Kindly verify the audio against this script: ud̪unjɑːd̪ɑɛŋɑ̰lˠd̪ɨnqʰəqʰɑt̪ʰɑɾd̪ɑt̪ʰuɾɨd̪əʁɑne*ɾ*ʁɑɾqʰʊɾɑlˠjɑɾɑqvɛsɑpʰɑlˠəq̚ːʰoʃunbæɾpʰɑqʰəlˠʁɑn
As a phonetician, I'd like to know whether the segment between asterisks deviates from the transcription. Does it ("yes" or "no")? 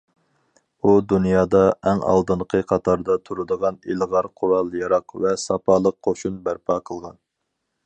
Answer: yes